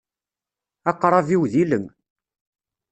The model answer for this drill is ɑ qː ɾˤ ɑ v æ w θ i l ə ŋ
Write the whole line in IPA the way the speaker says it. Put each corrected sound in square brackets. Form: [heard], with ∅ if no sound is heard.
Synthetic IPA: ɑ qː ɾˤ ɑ v [i] w [ð] i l ə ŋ